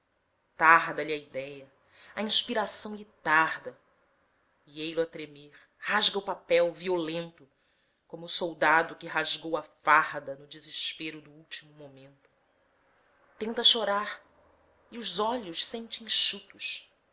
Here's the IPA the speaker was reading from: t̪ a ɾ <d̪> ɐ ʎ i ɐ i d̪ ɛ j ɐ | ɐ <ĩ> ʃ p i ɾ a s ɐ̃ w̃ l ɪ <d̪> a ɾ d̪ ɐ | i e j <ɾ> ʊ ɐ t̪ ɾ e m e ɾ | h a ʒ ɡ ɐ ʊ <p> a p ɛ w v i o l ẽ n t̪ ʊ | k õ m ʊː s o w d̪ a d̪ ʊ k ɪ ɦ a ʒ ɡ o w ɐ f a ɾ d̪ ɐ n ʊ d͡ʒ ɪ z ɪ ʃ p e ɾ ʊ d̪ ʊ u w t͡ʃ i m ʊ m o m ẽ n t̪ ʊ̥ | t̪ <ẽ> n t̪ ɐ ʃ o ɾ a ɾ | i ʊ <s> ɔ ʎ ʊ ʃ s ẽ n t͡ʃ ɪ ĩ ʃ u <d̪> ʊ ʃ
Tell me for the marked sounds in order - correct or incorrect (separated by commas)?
correct, correct, incorrect, incorrect, correct, correct, incorrect, incorrect